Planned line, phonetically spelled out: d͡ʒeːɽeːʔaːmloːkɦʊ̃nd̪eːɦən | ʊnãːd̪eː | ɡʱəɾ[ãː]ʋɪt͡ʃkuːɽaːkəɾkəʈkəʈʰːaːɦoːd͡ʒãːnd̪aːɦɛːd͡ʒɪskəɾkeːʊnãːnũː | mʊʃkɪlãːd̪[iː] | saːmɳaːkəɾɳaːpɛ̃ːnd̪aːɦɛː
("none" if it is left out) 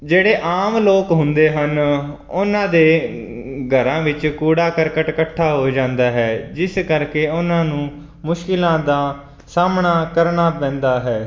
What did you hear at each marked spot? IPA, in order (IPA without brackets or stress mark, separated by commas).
ãː, aː